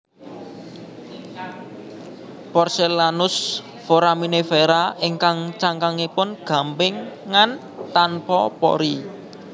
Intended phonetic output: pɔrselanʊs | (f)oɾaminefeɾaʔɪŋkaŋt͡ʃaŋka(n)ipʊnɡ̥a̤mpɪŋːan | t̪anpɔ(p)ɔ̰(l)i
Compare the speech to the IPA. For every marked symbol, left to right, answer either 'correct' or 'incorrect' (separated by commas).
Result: correct, incorrect, correct, incorrect